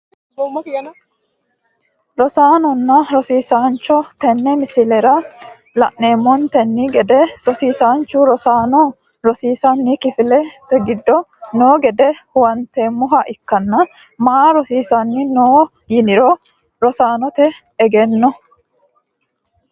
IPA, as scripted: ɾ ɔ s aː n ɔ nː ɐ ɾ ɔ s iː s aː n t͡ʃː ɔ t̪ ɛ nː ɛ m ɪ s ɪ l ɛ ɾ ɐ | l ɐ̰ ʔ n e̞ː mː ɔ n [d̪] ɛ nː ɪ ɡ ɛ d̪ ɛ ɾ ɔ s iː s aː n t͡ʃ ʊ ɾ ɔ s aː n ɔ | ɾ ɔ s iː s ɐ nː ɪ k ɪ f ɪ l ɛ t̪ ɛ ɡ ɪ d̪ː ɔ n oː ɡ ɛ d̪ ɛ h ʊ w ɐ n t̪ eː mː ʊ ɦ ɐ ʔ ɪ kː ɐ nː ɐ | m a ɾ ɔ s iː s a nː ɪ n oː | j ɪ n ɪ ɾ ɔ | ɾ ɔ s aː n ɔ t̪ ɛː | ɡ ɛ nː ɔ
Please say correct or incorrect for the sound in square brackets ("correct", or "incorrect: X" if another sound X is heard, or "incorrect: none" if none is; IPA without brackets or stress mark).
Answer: incorrect: t̪